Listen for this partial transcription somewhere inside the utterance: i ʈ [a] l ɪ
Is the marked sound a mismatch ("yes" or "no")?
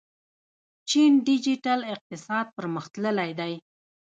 no